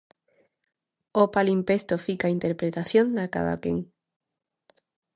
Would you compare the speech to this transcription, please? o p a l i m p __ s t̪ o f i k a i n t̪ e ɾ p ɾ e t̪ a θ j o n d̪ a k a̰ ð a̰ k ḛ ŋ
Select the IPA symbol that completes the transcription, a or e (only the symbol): e